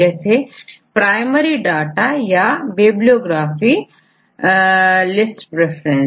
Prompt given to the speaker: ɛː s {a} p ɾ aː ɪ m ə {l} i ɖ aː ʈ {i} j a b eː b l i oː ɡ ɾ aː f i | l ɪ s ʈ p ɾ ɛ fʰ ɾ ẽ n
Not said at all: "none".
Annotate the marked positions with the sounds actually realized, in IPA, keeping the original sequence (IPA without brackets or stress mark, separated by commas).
e, ɾ, a